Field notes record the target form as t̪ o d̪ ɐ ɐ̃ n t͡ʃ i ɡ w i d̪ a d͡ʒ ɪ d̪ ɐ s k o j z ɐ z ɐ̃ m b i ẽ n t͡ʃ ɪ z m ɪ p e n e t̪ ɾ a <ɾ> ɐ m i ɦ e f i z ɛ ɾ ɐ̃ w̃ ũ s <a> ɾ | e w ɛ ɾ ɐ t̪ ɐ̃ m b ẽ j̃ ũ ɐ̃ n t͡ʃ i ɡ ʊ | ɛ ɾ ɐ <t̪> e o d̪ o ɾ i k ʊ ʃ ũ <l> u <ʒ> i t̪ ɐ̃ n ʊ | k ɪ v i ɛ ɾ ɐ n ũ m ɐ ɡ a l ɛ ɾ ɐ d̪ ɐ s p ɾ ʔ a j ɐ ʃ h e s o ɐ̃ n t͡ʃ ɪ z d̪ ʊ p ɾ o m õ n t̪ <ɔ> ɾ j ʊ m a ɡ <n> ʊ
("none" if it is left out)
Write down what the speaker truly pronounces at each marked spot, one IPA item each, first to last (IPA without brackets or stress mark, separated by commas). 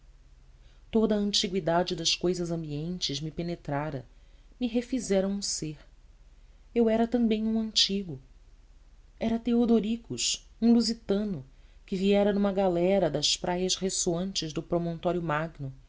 ɾ, e, t̪, l, z, ɔ, n